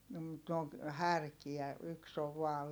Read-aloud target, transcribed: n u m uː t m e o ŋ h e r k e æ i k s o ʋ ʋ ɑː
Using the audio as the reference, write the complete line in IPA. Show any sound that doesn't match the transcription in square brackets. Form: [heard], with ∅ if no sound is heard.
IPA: n [o] m [u] t [n] e o ŋ h [æ] r k [i] æ [y] k s o ʋ ʋ ɑː